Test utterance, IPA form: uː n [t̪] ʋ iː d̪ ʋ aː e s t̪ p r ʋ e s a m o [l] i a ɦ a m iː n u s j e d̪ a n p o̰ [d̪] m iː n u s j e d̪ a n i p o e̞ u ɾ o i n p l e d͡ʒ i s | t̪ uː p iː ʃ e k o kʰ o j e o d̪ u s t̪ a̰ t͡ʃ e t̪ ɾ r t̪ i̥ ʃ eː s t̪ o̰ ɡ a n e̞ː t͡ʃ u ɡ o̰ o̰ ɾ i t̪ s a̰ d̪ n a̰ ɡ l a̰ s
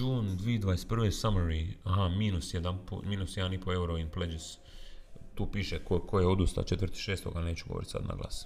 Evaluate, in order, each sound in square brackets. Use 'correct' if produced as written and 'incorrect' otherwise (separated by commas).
incorrect, incorrect, incorrect